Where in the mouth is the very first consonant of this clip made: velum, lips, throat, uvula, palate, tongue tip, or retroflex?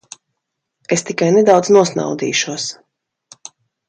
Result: tongue tip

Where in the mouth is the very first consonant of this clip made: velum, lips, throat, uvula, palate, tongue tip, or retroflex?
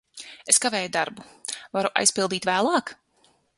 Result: tongue tip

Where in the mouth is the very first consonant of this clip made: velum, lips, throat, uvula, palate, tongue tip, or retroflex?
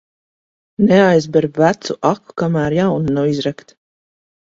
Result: tongue tip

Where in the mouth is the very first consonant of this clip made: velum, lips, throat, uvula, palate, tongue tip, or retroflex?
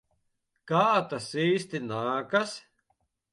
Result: velum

